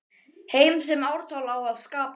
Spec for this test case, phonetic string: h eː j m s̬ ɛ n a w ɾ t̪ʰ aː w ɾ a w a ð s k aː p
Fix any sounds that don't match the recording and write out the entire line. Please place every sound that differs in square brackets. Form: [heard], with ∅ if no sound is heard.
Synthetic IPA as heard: h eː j m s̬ ɛ [m] a w ɾ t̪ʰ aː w [l] a w a ð s k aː p